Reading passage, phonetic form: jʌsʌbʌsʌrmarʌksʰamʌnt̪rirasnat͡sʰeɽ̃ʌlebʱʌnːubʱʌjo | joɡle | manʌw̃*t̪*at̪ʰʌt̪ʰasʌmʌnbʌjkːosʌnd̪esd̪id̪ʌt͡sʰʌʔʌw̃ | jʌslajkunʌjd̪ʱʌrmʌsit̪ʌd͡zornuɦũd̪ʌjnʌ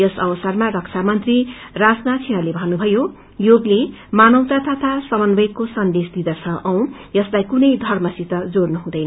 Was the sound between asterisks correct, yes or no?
yes